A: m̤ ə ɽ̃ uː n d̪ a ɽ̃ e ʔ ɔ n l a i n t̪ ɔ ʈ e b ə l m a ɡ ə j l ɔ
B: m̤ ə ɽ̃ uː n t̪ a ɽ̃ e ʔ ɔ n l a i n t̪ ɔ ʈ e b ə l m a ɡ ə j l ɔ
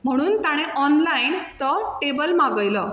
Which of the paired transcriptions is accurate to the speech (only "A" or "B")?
B